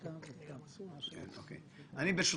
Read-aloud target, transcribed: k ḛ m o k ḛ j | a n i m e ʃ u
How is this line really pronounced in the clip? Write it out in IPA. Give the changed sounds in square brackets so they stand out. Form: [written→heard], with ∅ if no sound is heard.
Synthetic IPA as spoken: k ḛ [m→n] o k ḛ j | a n i [m→b] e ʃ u